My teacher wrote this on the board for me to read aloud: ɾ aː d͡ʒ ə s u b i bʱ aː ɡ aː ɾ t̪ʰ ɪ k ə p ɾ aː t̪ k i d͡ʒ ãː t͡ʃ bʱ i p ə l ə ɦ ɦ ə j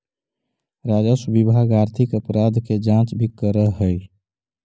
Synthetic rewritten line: ɾ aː d͡ʒ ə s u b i bʱ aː ɡ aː ɾ t̪ʰ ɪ k ə p ɾ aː d̪ k e d͡ʒ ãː t͡ʃ bʱ i k ə ɾ ə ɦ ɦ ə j

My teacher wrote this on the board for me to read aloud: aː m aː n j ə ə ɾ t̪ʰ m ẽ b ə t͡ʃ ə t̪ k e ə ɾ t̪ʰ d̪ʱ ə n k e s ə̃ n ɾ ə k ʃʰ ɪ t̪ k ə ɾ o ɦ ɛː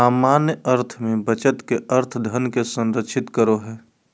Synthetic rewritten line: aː m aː n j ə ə ɾ t̪ʰ m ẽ b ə t͡ʃ ə t̪ k e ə ɾ t̪ʰ d̪ʱ ə n k e s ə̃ n ɾ ə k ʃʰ ɪ t̪ k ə ɾ o ɦ ɛː

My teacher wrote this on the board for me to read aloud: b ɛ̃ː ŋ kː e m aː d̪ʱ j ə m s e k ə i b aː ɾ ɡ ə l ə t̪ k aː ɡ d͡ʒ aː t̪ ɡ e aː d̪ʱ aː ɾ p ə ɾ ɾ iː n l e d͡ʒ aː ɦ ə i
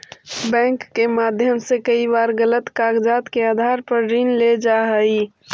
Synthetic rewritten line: b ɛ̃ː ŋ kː e m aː d̪ʱ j ə m s e k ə i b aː ɾ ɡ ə l ə t̪ k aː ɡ d͡ʒ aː t̪ k e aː d̪ʱ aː ɾ p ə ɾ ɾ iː n l e d͡ʒ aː ɦ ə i

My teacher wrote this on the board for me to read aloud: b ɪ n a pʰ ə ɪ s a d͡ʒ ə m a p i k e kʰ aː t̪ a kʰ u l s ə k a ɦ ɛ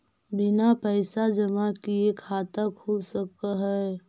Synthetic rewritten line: b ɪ n a p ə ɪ s a d͡ʒ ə m a k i e kʰ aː t̪ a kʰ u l s ə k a ɦ ɛ

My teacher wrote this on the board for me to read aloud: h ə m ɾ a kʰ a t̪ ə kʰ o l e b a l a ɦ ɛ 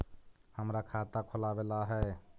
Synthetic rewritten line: h ə m ɾ a kʰ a t̪ a kʰ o l a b e l a ɦ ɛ

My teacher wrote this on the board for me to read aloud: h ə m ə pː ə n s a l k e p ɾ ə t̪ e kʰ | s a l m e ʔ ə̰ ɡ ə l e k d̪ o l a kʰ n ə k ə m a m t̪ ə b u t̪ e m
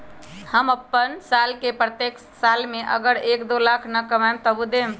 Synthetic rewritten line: h ə m ə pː ə n s a l k e p ɾ ə t̪ e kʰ | s a l m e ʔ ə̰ ɡ ə ɾ e k d̪ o l a kʰ n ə k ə m a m t̪ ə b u d̪ e m

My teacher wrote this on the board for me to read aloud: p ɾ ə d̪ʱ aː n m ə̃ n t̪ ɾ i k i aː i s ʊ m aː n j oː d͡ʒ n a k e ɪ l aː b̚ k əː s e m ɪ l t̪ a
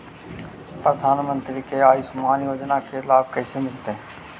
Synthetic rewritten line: p ɾ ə d̪ʱ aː n m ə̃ n t̪ ɾ i k e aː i s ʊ m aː n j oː d͡ʒ n a k e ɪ l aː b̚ k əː s e m ɪ l t̪ e

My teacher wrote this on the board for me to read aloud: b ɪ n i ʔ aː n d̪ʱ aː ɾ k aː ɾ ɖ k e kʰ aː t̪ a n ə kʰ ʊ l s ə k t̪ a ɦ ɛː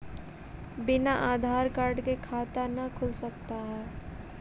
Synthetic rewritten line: b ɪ n a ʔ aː d̪ʱ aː ɾ k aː ɾ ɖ k e kʰ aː t̪ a n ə kʰ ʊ l s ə k t̪ a ɦ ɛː

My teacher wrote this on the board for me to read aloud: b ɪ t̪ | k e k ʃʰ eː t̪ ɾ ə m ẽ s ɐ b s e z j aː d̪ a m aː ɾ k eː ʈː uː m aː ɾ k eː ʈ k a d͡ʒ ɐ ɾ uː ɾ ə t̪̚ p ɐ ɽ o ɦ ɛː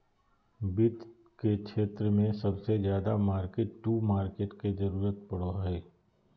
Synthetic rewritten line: b ɪ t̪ | k e k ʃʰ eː t̪ ɾ ə m ẽ s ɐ b s e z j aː d̪ a m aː ɾ k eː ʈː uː m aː ɾ k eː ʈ k e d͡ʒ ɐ ɾ uː ɾ ə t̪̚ p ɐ ɽ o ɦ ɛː

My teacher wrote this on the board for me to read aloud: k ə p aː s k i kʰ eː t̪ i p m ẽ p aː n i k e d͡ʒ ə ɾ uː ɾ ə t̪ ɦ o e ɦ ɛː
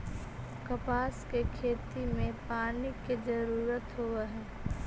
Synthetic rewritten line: k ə p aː s k e kʰ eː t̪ i m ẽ p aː n i k e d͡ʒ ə ɾ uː ɾ ə t̪ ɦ o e ɦ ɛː

